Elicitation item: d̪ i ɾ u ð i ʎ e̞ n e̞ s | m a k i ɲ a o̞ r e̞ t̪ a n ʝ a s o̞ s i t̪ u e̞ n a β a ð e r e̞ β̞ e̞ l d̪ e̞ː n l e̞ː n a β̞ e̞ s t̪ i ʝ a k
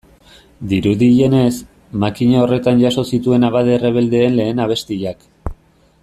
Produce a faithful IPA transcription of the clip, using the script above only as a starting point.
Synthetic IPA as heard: d̪ i ɾ u ð i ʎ e̞ n e̞ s | m a k i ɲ a o̞ r e̞ t̪ a n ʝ a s o̞ s i t̪ u e̞ n a β a ð e r e̞ β̞ e̞ l d̪ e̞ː n l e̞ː n a β̞ e̞ s t̪ i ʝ a k